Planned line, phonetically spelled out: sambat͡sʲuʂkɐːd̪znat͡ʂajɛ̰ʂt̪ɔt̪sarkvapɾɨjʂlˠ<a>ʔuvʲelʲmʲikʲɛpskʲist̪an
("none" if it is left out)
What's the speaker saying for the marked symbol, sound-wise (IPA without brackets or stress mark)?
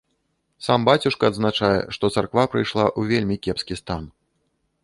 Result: a